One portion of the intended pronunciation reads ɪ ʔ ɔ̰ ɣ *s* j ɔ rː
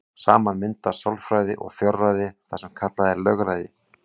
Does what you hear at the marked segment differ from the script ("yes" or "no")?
yes